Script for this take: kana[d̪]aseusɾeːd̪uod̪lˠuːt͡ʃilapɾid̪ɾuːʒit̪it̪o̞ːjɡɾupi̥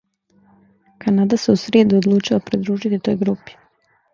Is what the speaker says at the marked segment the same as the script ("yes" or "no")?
yes